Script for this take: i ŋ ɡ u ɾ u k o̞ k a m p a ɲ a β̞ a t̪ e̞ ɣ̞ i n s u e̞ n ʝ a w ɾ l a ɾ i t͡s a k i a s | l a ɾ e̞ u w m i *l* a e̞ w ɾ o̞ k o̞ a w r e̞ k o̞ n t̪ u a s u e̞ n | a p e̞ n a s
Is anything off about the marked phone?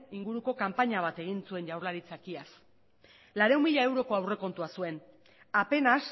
yes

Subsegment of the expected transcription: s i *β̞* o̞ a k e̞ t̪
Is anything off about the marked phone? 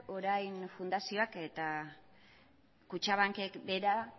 yes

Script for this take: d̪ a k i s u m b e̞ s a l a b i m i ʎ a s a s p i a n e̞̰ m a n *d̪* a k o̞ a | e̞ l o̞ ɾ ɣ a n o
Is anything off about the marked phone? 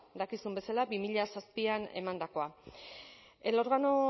no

